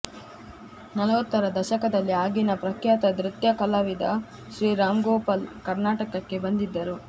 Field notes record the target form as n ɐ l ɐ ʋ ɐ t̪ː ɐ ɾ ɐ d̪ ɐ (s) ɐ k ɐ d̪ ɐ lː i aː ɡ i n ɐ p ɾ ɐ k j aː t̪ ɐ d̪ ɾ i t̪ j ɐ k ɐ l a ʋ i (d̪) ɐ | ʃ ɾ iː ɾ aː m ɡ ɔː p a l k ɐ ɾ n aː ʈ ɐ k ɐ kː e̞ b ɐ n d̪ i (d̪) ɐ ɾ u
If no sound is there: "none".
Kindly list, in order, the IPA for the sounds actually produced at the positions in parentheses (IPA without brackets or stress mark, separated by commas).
ʃ, d̪, d̪ː